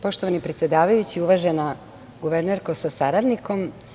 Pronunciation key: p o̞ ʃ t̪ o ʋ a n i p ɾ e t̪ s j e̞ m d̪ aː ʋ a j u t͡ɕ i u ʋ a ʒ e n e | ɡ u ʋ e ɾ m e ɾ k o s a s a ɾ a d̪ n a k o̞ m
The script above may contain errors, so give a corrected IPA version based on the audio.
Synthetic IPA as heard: p o̞ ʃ t̪ o ʋ a n i p ɾ e t̪ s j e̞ d̪ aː ʋ a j u t͡ɕ i u ʋ a ʒ e n a | ɡ u ʋ e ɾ n e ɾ k o s a s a ɾ a d̪ n i k o̞ m